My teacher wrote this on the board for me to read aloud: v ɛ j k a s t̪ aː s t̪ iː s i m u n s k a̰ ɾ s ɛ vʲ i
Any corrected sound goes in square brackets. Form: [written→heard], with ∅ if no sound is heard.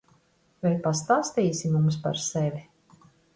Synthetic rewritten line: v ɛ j [k→p] a s t̪ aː s t̪ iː s i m u [n→m] s [k→p] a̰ ɾ s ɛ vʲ i